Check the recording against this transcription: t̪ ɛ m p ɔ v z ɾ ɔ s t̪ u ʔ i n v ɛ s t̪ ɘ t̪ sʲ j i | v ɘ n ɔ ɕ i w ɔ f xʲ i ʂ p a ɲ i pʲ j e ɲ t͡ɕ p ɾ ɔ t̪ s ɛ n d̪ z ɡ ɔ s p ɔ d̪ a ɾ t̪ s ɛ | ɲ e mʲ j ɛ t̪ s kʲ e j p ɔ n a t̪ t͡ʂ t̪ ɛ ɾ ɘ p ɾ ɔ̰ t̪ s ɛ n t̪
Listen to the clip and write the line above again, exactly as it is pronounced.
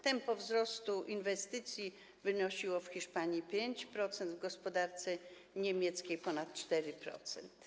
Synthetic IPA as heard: t̪ ɛ m p ɔ v z ɾ ɔ s t̪ u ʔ i n v ɛ s t̪ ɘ t̪ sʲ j i | v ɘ n ɔ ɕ i w ɔ f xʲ i ʂ p a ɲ i pʲ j e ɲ t͡ɕ p ɾ ɔ t̪ s ɛ n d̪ v ɡ ɔ s p ɔ d̪ a ɾ t̪ s ɛ | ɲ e mʲ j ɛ t̪ s kʲ e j p ɔ n a t̪ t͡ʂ t̪ ɛ ɾ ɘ p ɾ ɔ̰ t̪ s ɛ n t̪